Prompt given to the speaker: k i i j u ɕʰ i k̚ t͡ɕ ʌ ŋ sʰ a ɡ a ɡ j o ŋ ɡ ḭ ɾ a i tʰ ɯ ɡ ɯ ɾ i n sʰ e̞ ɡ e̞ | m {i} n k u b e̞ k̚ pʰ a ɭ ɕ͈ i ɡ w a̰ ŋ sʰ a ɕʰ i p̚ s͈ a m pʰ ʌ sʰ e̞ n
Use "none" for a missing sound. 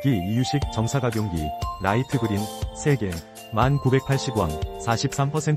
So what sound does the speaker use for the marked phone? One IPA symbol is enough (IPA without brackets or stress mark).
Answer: a